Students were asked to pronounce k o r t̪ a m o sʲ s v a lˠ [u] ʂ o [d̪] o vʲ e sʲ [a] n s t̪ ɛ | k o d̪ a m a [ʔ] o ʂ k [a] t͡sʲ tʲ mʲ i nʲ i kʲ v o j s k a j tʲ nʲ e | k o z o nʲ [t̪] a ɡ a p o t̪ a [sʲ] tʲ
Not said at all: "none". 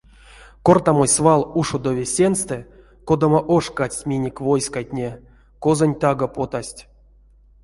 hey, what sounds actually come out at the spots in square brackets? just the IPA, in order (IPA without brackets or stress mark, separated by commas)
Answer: u, d̪, e, ʔ, a, t̪, sʲ